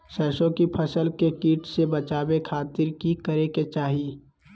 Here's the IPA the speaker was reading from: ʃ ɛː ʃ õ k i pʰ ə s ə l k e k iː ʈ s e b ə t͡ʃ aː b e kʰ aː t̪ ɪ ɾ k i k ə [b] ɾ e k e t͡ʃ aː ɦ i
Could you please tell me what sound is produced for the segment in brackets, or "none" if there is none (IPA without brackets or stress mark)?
none